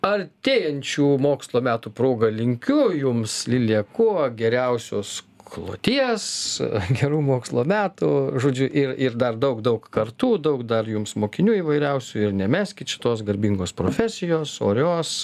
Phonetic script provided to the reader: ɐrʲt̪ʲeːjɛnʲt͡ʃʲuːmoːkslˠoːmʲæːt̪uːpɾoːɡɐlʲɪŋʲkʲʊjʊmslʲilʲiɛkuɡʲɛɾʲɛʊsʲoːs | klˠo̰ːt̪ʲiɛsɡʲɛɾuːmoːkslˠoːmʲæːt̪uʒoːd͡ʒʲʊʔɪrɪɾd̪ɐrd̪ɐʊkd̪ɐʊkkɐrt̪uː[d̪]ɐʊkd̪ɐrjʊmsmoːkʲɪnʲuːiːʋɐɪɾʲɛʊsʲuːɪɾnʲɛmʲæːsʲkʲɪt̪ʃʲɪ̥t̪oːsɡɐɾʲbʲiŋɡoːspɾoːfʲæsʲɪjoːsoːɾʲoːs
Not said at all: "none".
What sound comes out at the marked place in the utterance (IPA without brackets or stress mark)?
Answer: d̪